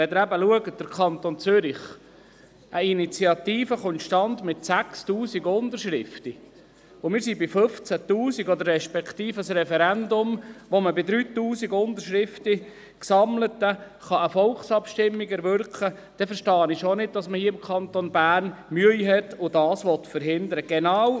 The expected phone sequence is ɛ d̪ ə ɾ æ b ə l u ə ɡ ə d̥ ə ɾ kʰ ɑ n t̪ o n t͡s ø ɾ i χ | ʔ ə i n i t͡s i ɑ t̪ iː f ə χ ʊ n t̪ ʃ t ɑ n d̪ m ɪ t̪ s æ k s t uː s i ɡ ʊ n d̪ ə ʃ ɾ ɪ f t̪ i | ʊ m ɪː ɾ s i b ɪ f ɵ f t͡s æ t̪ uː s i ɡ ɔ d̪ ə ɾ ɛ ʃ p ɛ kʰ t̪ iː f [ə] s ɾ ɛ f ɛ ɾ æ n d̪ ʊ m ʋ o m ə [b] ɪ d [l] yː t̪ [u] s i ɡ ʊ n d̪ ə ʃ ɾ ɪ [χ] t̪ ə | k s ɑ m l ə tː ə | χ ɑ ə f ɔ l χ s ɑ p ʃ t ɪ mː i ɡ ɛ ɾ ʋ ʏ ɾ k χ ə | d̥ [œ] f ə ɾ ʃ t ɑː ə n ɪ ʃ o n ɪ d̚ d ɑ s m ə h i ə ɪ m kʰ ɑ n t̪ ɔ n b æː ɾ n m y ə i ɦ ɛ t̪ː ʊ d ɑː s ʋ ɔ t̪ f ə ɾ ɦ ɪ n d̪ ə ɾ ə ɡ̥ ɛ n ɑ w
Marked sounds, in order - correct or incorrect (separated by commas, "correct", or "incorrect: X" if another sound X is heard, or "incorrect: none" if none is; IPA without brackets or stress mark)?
correct, correct, incorrect: ɾ, incorrect: uː, incorrect: f, incorrect: ɛ